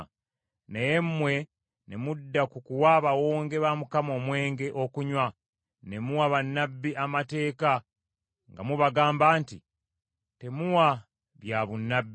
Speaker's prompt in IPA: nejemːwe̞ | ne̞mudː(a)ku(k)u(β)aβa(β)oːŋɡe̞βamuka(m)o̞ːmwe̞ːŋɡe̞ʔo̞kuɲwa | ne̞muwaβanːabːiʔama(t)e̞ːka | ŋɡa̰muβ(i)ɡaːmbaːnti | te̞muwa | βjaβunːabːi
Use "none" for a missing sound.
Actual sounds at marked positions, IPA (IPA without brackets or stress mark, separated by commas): a, k, w, w, m, t, a